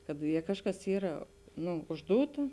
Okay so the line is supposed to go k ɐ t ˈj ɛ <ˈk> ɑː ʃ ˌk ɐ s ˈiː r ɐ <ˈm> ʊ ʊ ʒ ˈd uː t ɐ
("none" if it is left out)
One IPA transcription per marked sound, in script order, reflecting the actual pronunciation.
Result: k, n

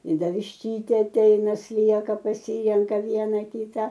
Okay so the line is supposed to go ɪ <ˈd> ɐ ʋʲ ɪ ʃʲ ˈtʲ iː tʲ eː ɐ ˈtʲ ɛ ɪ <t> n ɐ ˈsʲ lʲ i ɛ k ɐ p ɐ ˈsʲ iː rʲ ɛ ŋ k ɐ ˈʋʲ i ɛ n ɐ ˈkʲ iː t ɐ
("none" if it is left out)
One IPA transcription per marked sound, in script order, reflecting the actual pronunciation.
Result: d, none

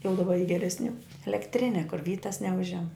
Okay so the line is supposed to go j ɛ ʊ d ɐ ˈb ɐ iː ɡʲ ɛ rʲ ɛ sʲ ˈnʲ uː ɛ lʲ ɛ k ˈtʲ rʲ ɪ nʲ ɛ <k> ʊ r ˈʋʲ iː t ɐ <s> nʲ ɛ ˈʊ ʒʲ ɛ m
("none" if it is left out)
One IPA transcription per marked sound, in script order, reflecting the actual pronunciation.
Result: k, s

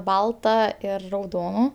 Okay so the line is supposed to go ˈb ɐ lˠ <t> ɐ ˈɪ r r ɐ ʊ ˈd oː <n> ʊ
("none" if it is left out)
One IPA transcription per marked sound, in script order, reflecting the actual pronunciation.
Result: t, n

